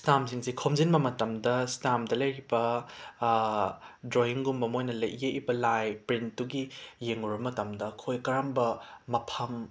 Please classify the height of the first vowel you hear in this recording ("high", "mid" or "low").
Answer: low